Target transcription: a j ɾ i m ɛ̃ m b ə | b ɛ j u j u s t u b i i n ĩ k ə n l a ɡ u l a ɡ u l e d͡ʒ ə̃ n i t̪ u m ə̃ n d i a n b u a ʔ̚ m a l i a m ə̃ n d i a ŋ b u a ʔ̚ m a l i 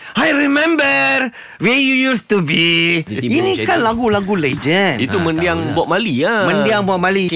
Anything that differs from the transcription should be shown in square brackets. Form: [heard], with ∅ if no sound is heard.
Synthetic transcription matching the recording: a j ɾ i m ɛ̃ m b ə | [w] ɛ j u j u s t u b i i n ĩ k [a] n l a ɡ u l a ɡ u l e d͡ʒ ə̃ n i t̪ u m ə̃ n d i a [ŋ] b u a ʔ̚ m a l i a m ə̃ n d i a ŋ b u a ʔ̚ m a l i